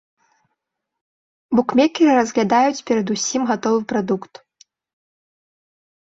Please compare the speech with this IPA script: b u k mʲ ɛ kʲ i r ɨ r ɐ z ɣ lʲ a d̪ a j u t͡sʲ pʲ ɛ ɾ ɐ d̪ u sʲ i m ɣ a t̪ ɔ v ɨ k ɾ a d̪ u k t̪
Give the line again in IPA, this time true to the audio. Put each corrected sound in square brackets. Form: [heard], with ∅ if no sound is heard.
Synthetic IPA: b u k mʲ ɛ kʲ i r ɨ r ɐ z ɣ lʲ a d̪ a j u t͡sʲ pʲ ɛ ɾ ɐ d̪ u sʲ i m ɣ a t̪ ɔ v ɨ [p] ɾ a d̪ u k t̪